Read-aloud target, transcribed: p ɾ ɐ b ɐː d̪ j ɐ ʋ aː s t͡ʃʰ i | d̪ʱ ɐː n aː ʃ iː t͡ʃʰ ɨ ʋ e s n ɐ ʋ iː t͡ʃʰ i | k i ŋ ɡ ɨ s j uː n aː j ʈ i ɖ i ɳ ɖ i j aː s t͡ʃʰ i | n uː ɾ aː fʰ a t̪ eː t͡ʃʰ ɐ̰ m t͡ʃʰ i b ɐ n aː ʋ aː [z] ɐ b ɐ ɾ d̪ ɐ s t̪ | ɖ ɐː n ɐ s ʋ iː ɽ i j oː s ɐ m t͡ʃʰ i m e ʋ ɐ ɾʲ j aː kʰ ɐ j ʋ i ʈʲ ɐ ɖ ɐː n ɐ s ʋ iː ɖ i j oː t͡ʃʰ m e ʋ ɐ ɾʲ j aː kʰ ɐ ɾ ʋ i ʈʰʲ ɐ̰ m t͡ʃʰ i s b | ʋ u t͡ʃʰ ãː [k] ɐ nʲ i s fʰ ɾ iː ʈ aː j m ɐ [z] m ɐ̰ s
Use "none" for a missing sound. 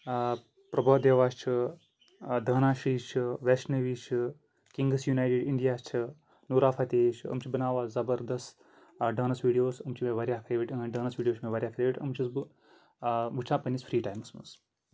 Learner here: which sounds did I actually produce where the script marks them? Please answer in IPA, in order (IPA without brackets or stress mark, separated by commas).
z, p, s